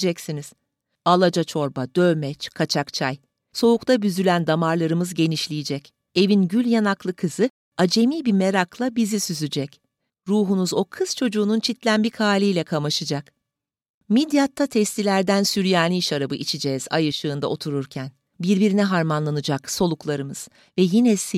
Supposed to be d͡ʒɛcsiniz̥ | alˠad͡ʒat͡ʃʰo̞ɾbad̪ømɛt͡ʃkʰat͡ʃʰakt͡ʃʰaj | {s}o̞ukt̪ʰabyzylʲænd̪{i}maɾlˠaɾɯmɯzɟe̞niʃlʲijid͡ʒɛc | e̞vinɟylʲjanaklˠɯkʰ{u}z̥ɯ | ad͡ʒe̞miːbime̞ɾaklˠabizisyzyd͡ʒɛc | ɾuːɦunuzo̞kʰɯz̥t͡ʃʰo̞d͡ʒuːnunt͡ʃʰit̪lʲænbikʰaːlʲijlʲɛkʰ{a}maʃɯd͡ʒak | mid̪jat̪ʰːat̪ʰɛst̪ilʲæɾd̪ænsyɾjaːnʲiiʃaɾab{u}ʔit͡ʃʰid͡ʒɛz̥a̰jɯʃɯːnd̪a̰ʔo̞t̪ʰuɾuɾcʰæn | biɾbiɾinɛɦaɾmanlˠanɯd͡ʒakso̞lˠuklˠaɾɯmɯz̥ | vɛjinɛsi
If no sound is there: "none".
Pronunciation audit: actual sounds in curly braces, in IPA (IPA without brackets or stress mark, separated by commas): s, a, ɯ, a, ɯ